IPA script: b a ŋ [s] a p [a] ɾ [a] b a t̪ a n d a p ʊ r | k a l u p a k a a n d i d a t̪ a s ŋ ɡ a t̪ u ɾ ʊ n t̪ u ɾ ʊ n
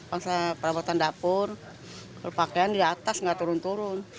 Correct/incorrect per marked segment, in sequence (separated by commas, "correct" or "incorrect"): correct, incorrect, correct